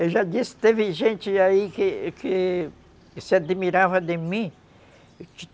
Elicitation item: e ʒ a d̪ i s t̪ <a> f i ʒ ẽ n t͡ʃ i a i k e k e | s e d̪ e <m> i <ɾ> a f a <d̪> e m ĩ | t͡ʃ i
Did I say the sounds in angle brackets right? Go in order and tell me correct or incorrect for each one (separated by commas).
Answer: incorrect, correct, correct, correct